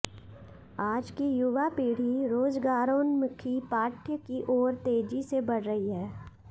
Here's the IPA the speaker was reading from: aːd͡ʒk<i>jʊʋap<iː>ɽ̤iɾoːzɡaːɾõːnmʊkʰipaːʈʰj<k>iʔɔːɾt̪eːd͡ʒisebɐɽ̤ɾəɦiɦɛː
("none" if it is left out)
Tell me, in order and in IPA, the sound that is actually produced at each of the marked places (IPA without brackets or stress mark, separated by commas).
i, iː, k